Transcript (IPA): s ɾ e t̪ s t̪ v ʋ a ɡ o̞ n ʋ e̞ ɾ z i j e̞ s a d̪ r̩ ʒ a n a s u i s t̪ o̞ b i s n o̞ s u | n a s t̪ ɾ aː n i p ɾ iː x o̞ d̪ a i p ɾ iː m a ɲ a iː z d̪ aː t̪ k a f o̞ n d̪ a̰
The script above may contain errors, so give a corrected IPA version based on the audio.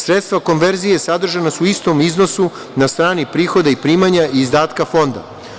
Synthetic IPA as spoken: s ɾ e t̪ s t̪ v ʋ a k o̞ n ʋ e̞ ɾ z i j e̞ s a d̪ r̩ ʒ a n a s u i s t̪ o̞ m i z n o̞ s u | n a s t̪ ɾ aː n i p ɾ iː x o̞ d̪ a i p ɾ iː m a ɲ a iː z d̪ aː t̪ k a f o̞ n d̪ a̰